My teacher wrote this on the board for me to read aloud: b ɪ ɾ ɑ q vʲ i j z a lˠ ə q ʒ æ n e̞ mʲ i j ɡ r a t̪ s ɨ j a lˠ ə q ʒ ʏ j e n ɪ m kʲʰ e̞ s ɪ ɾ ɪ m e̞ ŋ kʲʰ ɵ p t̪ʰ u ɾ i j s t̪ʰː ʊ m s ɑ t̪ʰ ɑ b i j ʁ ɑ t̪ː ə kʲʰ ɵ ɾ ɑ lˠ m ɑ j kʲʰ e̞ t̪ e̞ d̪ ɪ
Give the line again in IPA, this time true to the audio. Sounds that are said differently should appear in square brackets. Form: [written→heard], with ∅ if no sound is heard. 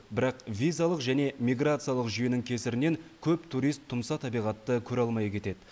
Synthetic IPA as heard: b ɪ ɾ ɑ q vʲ i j z a lˠ ə q ʒ æ n e̞ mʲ i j ɡ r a t̪ s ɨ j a lˠ ə q ʒ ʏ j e n ɪ [m→ŋ] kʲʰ e̞ s ɪ ɾ ɪ [m→n] e̞ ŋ kʲʰ ɵ p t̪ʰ u ɾ i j s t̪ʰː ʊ m s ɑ t̪ʰ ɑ b i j ʁ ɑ t̪ː ə kʲʰ ɵ ɾ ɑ lˠ m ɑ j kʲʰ e̞ t̪ e̞ d̪ ɪ